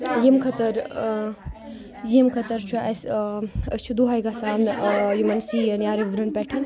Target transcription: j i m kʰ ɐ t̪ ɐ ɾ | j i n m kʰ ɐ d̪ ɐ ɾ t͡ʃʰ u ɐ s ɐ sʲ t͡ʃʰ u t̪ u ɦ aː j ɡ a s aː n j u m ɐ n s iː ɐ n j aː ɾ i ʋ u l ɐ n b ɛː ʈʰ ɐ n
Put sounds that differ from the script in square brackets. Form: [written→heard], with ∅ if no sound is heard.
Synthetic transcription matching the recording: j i m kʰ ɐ t̪ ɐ ɾ | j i [n→∅] m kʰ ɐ [d̪→t̪] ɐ ɾ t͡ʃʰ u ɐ s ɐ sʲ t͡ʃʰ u [t̪→d̪] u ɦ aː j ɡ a s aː n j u m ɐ n s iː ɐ n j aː ɾ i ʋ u [l→ɾ] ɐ n [b→p] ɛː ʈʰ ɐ n